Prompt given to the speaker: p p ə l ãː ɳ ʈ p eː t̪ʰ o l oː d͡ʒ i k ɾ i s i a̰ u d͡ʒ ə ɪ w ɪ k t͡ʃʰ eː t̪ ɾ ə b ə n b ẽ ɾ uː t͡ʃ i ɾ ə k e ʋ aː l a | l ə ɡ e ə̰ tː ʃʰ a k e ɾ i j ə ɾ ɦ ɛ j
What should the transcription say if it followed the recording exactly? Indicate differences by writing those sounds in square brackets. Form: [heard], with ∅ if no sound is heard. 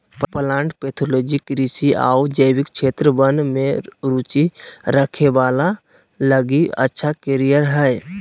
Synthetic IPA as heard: p p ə l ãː ɳ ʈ p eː t̪ʰ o l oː d͡ʒ i k ɾ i s i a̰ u d͡ʒ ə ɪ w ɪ k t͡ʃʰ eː t̪ ɾ ə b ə n [m] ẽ ɾ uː t͡ʃ i ɾ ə [kʰ] e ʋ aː l a | l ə ɡ [i] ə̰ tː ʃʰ a k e ɾ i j ə ɾ ɦ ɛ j